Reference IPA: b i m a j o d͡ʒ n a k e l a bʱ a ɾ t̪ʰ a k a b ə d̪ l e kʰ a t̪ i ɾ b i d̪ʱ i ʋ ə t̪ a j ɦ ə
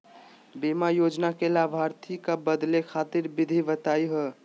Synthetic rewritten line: b i m a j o d͡ʒ n a k e l a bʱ a ɾ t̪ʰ i k a b ə d̪ l e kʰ a t̪ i ɾ b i d̪ʱ i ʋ ə t̪ a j ɦ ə